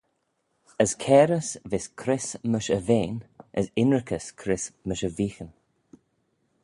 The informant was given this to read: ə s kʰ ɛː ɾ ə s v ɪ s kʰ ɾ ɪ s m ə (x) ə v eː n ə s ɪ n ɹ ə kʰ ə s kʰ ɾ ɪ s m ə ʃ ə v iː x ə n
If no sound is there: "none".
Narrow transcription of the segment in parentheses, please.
ʃ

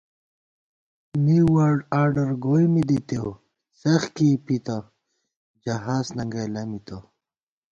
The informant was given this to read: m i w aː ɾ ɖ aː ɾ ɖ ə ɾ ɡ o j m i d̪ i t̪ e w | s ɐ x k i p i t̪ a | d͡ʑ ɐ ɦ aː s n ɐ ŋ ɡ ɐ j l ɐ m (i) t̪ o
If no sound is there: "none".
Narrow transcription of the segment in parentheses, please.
i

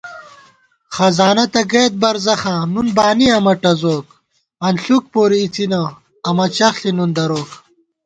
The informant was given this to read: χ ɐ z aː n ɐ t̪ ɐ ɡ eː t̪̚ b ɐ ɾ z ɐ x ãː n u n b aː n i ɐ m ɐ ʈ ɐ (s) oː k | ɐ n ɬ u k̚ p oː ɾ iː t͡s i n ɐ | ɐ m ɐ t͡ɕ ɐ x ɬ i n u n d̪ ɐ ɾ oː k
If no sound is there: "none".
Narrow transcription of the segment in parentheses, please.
z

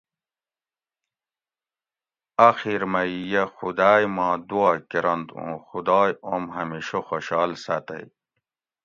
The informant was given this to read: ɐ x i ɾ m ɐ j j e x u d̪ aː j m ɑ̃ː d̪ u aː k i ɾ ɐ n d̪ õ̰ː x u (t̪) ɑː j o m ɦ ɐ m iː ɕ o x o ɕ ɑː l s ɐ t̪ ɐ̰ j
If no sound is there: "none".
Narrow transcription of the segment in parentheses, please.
d̪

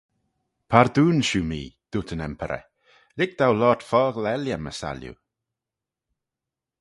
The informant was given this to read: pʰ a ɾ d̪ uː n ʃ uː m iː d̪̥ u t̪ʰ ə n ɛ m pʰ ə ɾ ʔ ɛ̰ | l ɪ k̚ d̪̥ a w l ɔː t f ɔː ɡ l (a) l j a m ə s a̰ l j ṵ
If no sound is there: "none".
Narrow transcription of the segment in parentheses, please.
ɛ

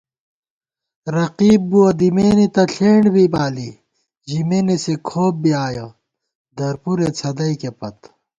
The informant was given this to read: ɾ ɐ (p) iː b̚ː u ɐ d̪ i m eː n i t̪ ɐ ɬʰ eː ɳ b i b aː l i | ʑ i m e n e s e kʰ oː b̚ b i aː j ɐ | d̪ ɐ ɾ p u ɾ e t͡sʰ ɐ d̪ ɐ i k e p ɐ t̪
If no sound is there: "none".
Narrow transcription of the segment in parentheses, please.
q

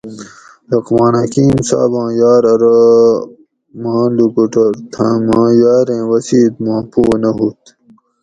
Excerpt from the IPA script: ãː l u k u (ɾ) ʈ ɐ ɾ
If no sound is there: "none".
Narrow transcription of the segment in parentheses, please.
none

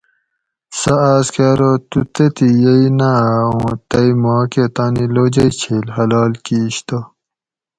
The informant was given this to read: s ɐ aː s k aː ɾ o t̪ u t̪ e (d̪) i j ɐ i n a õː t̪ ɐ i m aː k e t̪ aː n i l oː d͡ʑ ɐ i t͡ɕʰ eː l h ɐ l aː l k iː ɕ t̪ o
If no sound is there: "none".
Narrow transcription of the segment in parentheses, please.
t̪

